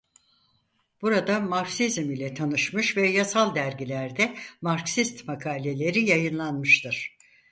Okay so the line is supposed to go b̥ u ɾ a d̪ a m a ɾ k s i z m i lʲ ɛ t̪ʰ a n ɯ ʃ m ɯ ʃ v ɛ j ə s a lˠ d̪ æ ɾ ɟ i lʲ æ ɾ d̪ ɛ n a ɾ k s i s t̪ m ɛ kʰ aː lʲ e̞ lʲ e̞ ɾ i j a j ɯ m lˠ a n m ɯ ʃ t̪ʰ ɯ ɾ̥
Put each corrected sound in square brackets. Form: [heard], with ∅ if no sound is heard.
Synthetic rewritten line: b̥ u ɾ a d̪ a m a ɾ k s i z m i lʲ ɛ t̪ʰ a n ɯ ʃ m ɯ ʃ v ɛ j [a] s a lˠ d̪ æ ɾ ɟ i lʲ æ ɾ d̪ ɛ [m] a ɾ k s i s t̪ m [a] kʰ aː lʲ e̞ lʲ e̞ ɾ i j a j ɯ [n] lˠ a n m ɯ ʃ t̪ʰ ɯ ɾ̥